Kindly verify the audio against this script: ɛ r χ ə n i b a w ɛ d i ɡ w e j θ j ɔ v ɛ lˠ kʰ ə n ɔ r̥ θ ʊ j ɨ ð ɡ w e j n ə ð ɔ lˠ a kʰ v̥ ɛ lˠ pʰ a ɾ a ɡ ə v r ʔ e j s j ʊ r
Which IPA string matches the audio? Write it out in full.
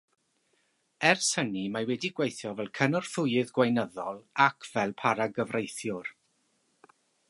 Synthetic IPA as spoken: ɛ r s ə n i m a w ɛ d i ɡ w e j θ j ɔ v ɛ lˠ kʰ ə n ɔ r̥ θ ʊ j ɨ ð ɡ w a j n ə ð ɔ lˠ a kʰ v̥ ɛ lˠ pʰ a ɾ a ɡ ə v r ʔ e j θ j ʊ r

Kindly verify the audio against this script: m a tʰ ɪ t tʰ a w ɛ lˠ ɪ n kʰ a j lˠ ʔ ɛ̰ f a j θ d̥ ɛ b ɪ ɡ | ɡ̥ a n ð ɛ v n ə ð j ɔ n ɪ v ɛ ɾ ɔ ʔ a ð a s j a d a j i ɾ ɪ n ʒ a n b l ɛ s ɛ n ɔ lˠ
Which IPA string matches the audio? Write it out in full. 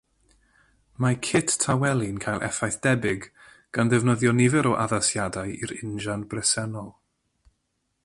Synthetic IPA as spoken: m a kʰ ɪ t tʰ a w ɛ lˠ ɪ n kʰ a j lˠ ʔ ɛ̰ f a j θ d̥ ɛ b ɪ ɡ | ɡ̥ a n ð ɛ v n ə ð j ɔ n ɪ v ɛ ɾ ɔ ʔ a ð a s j a d a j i ɾ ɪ n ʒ a n b r ɛ s ɛ n ɔ lˠ

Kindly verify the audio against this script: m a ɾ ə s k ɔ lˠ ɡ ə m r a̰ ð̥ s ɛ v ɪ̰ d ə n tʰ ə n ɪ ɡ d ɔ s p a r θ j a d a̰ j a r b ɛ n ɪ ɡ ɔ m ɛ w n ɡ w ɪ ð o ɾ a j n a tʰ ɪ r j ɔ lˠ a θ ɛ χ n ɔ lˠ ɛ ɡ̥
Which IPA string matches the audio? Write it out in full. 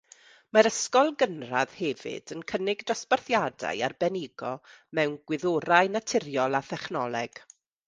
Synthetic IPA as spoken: m a ɾ ə s k ɔ lˠ ɡ ə n r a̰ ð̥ h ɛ v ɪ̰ d ə n kʰ ə n ɪ ɡ d ɔ s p a r θ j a d a̰ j a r b ɛ n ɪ ɡ ɔ m ɛ w n ɡ w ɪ ð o ɾ a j n a tʰ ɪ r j ɔ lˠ a θ ɛ χ n ɔ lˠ ɛ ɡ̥

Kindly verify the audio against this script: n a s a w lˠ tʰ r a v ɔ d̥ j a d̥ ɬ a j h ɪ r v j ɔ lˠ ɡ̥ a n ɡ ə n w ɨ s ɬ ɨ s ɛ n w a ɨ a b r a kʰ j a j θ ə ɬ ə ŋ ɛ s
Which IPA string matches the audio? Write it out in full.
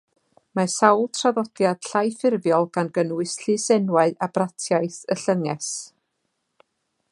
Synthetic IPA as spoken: m a s a w lˠ tʰ r a ð ɔ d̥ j a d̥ ɬ a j f ɪ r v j ɔ lˠ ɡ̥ a n ɡ ə n w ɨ s ɬ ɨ s ɛ n w a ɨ a b r a tʰ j a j θ ə ɬ ə ŋ ɛ s

